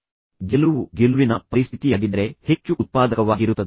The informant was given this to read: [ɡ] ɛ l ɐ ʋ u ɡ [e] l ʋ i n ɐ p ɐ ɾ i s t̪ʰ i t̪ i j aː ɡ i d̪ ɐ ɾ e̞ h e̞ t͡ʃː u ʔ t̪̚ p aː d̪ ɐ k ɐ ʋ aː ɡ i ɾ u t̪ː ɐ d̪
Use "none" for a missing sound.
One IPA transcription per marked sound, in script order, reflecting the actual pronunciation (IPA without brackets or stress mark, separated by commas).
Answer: ɡ, e